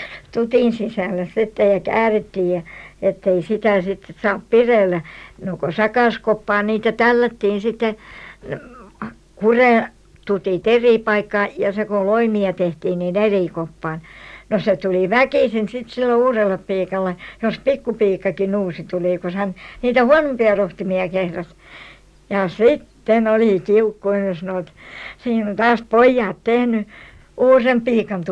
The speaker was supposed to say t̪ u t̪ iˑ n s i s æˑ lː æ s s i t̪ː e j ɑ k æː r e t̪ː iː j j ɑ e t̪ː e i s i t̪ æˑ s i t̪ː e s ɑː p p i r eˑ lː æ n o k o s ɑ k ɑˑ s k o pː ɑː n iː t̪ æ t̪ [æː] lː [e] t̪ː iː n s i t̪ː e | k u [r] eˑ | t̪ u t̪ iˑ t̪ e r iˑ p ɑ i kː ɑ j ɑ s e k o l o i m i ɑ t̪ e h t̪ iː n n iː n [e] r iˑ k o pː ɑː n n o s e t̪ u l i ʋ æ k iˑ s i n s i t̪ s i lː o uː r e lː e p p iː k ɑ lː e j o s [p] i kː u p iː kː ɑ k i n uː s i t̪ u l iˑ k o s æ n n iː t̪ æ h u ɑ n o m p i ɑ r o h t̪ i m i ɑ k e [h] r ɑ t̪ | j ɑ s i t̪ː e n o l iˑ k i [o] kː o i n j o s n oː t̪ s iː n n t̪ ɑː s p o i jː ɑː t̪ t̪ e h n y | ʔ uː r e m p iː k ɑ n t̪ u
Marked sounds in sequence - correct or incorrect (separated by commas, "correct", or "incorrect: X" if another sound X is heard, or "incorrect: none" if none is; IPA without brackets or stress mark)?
incorrect: æ, incorrect: æ, correct, correct, correct, correct, incorrect: u